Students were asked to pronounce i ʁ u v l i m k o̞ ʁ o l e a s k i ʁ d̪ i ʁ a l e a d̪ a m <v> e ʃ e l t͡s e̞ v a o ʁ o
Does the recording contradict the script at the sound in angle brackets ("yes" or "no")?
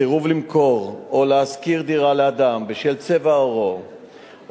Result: yes